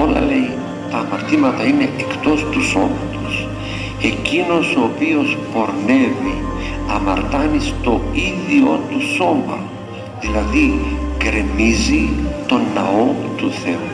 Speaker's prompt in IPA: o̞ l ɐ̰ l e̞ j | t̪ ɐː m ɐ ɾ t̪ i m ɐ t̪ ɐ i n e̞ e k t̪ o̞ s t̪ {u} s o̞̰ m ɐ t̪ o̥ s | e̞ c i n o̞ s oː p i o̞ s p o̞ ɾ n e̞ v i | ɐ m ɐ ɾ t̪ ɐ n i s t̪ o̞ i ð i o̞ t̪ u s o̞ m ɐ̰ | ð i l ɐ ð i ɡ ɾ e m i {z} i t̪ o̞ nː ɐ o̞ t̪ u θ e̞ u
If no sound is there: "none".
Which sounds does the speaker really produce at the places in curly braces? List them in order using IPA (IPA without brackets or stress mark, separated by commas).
u, z